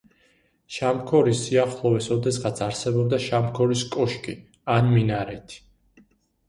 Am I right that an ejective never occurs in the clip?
no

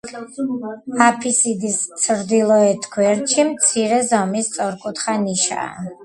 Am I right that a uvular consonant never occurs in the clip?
no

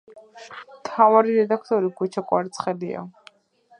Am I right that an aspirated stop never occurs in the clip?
no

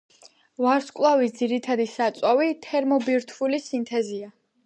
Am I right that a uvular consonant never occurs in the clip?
yes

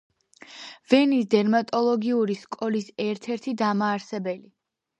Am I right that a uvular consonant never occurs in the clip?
yes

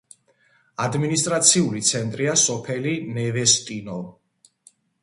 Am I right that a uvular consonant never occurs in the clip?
yes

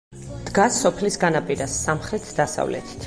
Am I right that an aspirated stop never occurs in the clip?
no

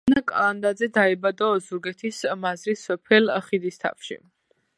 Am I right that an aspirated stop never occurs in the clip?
no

